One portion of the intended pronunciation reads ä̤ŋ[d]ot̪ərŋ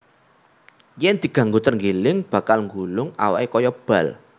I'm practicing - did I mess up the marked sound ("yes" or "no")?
yes